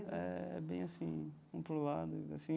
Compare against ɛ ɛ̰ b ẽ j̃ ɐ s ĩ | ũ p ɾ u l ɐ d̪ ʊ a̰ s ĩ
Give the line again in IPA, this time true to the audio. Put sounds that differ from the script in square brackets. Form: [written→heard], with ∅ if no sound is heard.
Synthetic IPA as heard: ɛ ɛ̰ b ẽ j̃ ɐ s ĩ | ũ p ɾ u l [ɐ→a] d̪ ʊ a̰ s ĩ